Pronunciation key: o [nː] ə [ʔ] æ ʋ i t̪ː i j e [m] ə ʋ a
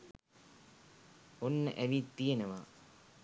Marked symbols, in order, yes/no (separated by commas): yes, yes, no